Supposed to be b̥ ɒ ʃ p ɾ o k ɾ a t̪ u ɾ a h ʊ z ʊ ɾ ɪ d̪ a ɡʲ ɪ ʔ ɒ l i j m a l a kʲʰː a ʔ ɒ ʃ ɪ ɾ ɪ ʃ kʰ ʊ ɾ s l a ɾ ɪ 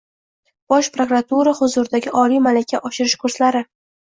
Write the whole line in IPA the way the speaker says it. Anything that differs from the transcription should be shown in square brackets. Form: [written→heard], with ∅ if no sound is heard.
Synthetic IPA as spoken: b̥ ɒ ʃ p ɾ o k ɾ a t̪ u ɾ a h ʊ z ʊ ɾ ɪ d̪ a ɡʲ ɪ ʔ ɒ l i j m a l a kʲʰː a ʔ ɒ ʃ ɪ ɾ ɪ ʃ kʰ ʊ ɾ s l a ɾ ɪ